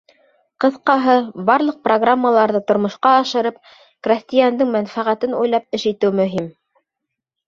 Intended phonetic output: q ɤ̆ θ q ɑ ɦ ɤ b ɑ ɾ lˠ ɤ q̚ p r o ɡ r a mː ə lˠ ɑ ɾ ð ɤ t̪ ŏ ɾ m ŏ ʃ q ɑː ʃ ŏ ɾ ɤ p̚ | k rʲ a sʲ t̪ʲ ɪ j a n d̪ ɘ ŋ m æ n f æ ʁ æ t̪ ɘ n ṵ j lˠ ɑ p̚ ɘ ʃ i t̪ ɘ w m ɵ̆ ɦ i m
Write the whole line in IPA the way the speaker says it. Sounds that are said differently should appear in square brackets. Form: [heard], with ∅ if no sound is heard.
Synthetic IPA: q ɤ̆ θ q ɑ ɦ ɤ b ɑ ɾ lˠ ɤ q̚ p r o ɡ r a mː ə lˠ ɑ ɾ ð ɤ t̪ ŏ ɾ m ŏ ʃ q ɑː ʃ [ɤ̆] ɾ ɤ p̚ | k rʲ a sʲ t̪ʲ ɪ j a n d̪ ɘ ŋ m æ n f æ ʁ æ t̪ ɘ n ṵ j lˠ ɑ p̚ ɘ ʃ i t̪ ɘ w m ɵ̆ ɦ i m